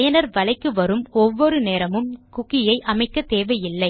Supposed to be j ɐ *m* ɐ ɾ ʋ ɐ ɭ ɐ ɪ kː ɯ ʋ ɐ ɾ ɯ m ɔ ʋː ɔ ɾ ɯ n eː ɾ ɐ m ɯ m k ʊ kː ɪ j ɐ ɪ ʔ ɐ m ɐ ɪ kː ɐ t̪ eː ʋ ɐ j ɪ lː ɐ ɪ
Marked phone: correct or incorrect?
incorrect